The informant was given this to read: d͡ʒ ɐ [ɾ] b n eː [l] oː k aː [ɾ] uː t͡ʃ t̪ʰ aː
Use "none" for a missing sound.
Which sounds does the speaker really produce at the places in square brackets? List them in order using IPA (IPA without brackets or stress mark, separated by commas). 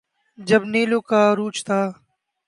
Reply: none, l, ɾ